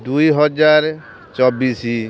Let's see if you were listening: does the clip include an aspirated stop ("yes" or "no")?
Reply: no